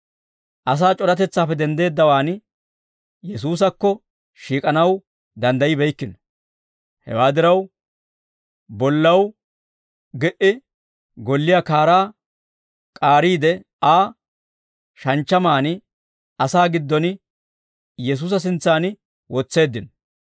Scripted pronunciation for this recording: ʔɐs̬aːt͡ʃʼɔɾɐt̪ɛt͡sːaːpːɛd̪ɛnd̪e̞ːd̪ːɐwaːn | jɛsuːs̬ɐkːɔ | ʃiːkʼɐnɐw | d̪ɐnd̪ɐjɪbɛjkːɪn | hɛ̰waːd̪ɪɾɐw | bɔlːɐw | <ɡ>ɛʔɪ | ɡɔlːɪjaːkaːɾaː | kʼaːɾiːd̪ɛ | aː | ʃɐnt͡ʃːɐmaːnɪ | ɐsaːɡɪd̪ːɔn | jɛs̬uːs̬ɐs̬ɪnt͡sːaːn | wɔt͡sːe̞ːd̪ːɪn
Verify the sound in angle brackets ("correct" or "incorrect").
correct